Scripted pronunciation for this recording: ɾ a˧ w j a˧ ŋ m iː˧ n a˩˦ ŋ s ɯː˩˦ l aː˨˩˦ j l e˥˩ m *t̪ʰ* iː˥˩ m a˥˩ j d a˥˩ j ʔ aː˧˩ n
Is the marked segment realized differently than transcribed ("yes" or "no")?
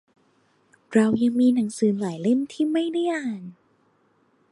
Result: no